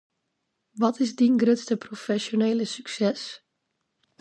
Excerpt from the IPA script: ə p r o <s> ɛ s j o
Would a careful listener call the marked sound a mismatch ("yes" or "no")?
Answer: yes